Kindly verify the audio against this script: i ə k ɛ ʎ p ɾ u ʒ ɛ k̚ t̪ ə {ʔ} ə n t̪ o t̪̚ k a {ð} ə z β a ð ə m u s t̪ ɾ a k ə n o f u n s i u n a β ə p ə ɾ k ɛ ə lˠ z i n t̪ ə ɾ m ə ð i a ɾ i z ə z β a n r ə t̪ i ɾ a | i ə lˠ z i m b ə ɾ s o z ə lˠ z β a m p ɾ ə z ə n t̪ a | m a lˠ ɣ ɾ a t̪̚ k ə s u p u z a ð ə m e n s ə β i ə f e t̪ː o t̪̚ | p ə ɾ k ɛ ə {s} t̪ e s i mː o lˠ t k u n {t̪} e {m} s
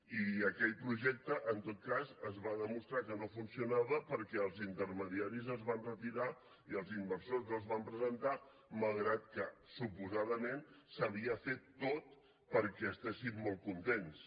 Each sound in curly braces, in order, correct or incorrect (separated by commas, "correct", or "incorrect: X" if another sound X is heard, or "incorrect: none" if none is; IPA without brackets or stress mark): correct, incorrect: z, correct, correct, incorrect: n